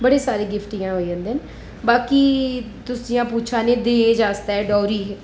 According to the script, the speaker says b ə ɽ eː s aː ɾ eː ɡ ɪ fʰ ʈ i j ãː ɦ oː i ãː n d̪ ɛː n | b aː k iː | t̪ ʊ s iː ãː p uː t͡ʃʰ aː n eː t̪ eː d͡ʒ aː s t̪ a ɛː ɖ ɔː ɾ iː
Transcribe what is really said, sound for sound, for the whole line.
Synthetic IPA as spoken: b ə ɽ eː s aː ɾ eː ɡ ɪ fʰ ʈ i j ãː ɦ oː i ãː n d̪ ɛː n | b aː k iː | t̪ ʊ s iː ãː p uː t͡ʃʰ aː n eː d̪ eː d͡ʒ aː s t̪ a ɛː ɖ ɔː ɾ iː